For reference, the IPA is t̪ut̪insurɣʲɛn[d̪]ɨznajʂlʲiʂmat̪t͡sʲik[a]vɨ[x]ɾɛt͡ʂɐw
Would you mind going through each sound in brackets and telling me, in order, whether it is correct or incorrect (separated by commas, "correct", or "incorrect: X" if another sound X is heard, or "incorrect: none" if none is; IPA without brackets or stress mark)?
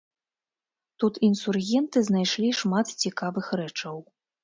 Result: incorrect: t̪, correct, correct